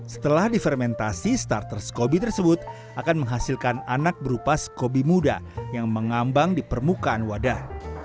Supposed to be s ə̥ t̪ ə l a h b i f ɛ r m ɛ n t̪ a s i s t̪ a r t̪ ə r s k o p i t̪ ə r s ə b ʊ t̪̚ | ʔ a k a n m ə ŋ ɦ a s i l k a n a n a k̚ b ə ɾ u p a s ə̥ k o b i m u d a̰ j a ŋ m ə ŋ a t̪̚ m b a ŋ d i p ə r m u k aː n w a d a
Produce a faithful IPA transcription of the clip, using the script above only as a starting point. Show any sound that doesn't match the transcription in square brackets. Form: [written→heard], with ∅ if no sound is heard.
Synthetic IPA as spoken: s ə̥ t̪ ə l a h [b→d] i f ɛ r m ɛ n t̪ a s i s t̪ a r t̪ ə r s k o [p→b] i t̪ ə r s ə b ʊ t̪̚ | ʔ a k a n m ə ŋ ɦ a s i l k a n a n a k̚ b ə ɾ u p a s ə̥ k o b i m u d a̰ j a ŋ m ə ŋ a [t̪̚→∅] m b a ŋ d i p ə r m u k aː n w a d a